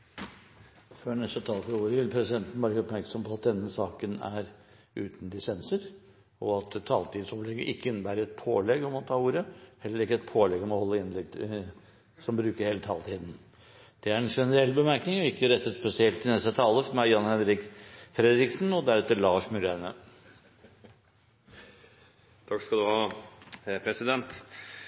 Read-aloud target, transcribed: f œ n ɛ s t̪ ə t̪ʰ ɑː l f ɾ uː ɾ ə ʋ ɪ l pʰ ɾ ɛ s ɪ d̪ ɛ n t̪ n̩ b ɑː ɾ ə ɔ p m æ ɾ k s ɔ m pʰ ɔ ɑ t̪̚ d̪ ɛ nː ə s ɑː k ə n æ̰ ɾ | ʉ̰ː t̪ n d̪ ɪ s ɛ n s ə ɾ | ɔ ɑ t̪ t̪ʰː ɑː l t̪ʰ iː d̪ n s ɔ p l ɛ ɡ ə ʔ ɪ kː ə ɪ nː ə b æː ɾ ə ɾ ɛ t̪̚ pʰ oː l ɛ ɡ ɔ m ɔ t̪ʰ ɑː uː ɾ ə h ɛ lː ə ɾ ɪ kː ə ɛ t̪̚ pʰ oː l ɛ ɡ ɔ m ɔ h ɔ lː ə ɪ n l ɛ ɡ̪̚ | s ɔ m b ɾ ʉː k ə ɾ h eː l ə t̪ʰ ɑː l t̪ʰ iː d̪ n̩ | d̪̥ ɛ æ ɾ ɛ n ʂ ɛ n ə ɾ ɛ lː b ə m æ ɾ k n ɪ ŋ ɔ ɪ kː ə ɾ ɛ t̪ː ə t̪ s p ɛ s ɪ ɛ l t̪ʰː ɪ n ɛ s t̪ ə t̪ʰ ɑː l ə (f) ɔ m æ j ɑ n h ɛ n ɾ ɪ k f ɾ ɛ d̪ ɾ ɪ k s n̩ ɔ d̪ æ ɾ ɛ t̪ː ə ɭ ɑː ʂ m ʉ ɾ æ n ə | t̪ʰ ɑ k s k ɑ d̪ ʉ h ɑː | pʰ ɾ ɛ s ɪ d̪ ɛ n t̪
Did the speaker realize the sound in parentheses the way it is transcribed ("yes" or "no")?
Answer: yes